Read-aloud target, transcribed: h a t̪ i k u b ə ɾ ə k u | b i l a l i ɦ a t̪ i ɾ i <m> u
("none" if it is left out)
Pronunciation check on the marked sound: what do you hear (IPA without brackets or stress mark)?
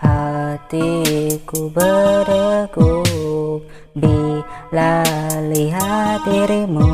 m